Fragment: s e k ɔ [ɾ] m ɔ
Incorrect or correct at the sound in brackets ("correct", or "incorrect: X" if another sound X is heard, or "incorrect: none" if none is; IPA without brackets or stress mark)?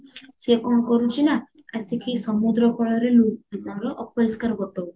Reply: incorrect: none